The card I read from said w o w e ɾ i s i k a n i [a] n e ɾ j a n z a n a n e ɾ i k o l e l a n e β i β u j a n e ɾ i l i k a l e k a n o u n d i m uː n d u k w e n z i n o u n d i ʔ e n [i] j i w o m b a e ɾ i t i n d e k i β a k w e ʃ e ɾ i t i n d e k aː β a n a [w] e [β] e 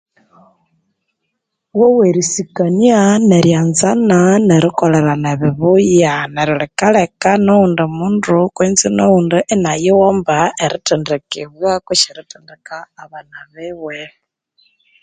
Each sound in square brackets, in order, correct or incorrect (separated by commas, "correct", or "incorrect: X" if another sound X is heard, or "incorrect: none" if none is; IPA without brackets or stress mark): correct, incorrect: a, incorrect: β, incorrect: w